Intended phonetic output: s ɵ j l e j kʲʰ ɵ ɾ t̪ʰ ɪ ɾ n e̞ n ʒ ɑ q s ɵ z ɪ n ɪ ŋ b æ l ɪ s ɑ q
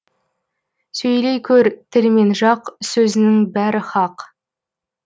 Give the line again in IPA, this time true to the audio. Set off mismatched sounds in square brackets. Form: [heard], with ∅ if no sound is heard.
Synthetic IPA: s ɵ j l e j kʲʰ ɵ ɾ t̪ʰ ɪ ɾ [m] e̞ n ʒ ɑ q s ɵ z ɪ n ɪ ŋ b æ [ɾ] ɪ [χ] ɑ q